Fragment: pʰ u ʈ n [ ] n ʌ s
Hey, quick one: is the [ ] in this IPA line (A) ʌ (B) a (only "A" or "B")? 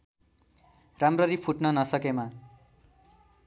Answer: A